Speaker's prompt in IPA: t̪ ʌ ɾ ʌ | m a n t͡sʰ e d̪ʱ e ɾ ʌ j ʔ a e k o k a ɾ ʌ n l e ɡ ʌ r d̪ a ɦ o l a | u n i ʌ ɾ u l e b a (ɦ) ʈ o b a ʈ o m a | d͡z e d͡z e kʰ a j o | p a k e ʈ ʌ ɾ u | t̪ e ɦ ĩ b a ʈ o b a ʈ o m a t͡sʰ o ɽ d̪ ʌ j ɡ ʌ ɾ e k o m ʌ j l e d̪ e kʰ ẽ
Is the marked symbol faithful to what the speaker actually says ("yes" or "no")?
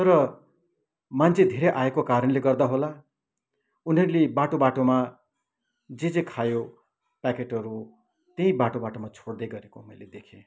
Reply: no